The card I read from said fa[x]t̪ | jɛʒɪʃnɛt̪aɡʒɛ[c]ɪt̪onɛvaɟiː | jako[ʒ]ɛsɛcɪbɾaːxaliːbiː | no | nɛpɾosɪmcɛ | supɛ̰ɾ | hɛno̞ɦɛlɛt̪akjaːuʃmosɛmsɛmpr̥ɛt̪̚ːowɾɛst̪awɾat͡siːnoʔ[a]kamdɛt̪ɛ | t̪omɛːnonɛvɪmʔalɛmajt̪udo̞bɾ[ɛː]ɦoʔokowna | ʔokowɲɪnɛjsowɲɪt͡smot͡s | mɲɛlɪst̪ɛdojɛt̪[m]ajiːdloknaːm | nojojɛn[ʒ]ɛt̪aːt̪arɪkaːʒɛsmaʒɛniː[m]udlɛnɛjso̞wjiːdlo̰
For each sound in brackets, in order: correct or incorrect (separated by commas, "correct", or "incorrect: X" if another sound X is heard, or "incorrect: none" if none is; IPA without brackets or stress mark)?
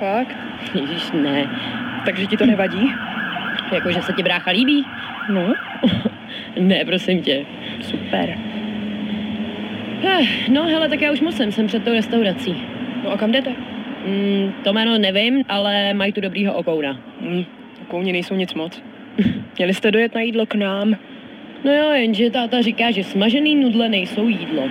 incorrect: k, correct, correct, correct, incorrect: iː, incorrect: n, correct, incorrect: n